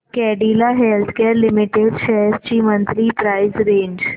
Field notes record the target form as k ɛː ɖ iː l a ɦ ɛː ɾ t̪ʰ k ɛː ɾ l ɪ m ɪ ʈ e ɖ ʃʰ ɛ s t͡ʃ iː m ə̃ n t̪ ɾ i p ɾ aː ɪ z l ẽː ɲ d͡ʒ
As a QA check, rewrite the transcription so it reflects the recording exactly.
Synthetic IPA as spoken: k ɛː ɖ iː l a ɦ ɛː l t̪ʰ k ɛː ɾ l ɪ m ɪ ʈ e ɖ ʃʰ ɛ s t͡ʃ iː m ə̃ n t̪ ɾ i p ɾ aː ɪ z ɾ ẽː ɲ d͡ʒ